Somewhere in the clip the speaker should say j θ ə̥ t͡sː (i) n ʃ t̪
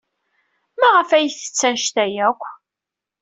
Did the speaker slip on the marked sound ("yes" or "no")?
yes